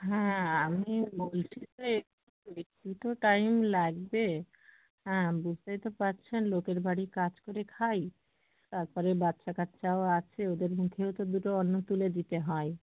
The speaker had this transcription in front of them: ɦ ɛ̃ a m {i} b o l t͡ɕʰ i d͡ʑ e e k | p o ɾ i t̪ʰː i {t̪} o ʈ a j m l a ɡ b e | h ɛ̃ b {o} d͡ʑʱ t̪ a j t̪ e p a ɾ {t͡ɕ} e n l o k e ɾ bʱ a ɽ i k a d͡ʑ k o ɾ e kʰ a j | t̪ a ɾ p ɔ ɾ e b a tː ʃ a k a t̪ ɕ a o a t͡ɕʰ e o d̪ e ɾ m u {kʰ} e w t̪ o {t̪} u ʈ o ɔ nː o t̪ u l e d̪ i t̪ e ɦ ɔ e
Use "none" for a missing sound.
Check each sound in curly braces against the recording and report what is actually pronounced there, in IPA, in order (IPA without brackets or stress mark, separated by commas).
i, t̪, u, t͡ɕʰ, kʰ, d̪